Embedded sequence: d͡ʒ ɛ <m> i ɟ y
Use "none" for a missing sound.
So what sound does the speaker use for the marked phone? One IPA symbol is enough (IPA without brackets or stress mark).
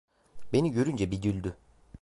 b